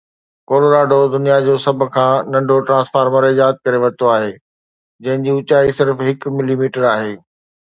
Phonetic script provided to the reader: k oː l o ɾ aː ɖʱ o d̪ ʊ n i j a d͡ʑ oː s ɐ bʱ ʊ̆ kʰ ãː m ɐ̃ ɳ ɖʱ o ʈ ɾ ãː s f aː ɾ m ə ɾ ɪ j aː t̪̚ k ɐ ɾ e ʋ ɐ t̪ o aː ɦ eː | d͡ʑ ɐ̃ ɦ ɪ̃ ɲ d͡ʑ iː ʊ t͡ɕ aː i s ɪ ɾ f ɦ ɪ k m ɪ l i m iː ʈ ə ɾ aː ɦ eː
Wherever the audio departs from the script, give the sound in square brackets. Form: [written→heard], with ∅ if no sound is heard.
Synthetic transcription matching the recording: k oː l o ɾ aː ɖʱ o d̪ ʊ n i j a d͡ʑ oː s ɐ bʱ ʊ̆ kʰ ãː [m→n] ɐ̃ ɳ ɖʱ o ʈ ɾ ãː s f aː ɾ m ə ɾ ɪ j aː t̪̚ k ɐ ɾ e ʋ ɐ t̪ o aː ɦ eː | d͡ʑ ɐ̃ ɦ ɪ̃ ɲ d͡ʑ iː ʊ t͡ɕ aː i s ɪ ɾ f ɦ ɪ k m ɪ l i m iː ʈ ə ɾ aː ɦ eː